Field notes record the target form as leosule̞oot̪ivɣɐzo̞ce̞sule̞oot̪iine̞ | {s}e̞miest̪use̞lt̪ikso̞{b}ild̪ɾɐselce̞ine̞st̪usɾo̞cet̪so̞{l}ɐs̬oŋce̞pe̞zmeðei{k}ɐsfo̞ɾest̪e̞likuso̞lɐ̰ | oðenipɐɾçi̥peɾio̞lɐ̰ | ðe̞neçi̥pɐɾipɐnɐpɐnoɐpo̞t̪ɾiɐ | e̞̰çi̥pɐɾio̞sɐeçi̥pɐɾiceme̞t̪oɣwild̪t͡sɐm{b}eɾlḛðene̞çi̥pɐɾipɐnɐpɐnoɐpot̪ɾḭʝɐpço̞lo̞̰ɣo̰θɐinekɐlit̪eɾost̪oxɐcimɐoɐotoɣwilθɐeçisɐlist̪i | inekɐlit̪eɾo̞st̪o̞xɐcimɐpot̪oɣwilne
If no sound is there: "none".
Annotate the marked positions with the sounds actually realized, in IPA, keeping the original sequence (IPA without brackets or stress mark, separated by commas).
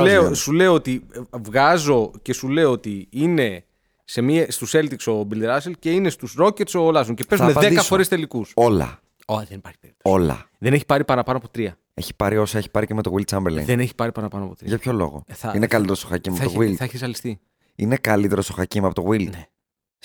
s, b, l, k, b